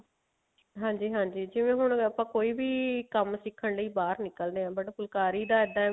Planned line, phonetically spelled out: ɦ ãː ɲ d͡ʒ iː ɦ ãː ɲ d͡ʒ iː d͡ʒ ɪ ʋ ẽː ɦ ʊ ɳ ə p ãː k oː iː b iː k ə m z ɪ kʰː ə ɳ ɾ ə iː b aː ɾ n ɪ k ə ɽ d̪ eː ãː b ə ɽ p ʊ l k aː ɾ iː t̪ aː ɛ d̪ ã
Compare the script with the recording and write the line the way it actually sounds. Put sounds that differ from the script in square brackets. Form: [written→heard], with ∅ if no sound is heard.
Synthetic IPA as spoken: ɦ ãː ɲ d͡ʒ iː ɦ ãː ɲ d͡ʒ iː d͡ʒ ɪ ʋ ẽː ɦ ʊ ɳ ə p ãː k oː iː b iː k ə m [z→s] ɪ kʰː ə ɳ [ɾ→l] ə iː b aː ɾ n ɪ k ə [ɽ→l] d̪ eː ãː b ə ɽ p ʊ l k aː ɾ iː [t̪→d̪] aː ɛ d̪ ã